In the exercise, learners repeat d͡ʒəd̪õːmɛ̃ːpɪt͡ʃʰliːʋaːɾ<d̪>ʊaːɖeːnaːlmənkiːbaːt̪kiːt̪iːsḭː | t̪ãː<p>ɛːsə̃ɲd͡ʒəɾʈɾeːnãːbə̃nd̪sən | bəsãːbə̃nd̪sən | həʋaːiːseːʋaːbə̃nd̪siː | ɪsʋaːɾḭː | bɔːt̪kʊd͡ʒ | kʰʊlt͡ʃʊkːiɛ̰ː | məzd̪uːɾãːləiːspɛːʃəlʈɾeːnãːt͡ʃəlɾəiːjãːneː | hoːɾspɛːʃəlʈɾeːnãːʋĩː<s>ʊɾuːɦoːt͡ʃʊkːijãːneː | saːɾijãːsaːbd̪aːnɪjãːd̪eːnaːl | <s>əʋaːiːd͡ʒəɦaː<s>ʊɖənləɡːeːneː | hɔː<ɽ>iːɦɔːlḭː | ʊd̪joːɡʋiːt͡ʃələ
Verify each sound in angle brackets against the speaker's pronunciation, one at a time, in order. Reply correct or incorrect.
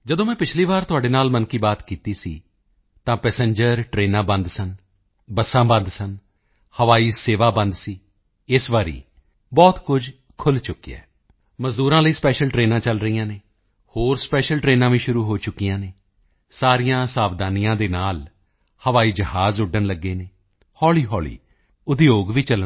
incorrect, correct, incorrect, incorrect, incorrect, incorrect

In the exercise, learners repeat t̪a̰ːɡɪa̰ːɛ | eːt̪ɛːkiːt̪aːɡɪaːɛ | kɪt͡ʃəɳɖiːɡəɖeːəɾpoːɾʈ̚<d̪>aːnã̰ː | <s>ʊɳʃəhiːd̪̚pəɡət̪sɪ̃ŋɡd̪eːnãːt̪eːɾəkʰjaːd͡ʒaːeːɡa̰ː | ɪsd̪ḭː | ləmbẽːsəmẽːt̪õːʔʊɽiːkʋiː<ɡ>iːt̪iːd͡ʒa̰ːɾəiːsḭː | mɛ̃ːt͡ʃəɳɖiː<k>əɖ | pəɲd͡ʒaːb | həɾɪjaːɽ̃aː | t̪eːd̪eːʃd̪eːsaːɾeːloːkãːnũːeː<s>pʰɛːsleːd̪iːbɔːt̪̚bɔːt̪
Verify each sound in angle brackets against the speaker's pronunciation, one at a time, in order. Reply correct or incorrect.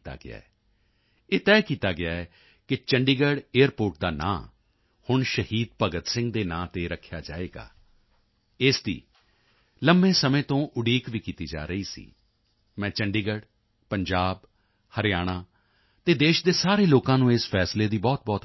correct, incorrect, incorrect, incorrect, correct

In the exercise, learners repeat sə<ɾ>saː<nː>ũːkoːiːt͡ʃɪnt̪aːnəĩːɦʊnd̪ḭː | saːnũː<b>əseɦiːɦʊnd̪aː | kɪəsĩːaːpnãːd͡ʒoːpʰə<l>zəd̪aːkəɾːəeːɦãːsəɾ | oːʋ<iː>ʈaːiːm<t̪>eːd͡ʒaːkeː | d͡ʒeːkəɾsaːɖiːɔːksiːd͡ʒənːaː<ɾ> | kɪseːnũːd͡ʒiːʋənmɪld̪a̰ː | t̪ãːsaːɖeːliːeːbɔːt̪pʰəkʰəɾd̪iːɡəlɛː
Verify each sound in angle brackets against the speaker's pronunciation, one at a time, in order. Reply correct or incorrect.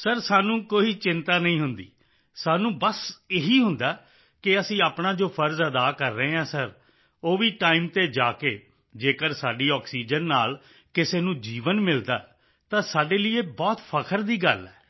correct, incorrect, correct, incorrect, correct, correct, incorrect

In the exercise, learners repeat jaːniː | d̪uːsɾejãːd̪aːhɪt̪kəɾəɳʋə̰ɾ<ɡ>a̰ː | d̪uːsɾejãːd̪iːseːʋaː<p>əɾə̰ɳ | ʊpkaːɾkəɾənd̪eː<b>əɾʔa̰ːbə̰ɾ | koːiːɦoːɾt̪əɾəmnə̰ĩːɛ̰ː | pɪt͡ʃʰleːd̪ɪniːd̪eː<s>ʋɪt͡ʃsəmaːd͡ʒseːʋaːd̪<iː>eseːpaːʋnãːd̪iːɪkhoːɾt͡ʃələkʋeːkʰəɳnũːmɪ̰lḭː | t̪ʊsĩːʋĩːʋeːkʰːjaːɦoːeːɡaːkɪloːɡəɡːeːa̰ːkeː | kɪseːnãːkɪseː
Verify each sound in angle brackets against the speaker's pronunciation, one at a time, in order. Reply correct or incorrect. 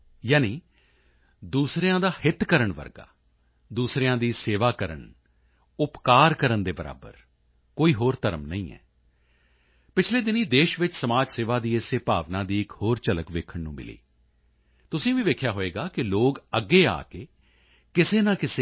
correct, incorrect, correct, incorrect, correct

